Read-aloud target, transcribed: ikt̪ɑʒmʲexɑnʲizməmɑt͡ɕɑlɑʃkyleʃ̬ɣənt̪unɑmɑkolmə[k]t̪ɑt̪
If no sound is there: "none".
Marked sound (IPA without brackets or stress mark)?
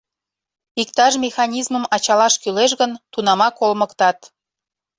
k